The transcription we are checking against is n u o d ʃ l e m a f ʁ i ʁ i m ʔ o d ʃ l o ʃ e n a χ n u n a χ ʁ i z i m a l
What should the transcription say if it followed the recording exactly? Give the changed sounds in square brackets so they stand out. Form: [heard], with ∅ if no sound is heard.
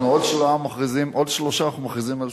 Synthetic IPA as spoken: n u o d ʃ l [a] m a [χ] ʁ i [z] i m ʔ o d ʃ l o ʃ [a] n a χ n u [m] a χ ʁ i z i m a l